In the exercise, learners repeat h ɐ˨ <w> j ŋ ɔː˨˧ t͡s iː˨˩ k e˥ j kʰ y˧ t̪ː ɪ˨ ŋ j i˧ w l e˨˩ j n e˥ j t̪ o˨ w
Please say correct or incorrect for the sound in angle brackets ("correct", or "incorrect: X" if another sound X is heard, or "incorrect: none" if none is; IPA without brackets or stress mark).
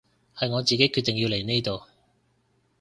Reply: incorrect: none